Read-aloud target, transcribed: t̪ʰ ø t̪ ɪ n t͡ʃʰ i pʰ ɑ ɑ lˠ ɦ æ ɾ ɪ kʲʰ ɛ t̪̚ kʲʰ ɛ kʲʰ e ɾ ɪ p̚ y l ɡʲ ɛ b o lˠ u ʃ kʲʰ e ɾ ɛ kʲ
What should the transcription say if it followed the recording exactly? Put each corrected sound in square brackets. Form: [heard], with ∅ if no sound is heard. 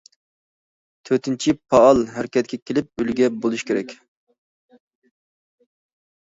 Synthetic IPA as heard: t̪ʰ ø t̪ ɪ n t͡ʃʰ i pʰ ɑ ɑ lˠ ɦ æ ɾ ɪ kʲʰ ɛ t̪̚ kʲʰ ɛ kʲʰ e [l] ɪ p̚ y l ɡʲ ɛ b o lˠ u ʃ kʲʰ e ɾ ɛ kʲ